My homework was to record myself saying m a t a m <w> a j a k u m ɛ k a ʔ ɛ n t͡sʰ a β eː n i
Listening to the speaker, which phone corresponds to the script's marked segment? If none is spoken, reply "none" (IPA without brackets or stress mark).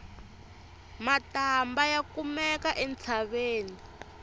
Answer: b